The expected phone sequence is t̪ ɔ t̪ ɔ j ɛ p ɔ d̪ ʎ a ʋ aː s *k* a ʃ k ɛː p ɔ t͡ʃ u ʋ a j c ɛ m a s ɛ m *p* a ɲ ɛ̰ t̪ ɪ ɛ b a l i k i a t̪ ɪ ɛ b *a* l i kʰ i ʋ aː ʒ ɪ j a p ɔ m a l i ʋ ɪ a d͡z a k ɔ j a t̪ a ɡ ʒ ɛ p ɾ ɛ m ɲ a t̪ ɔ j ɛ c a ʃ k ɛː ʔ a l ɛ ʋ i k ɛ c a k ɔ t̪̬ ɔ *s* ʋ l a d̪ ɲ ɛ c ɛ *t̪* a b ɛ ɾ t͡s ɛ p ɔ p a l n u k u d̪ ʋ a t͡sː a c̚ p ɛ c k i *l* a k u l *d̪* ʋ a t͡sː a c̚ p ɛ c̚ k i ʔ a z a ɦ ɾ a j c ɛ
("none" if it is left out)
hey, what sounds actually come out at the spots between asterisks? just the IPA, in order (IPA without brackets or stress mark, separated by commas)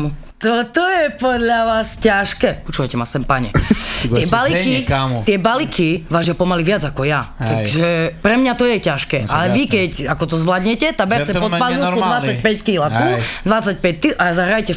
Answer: c, p, a, z, t̪, l, d̪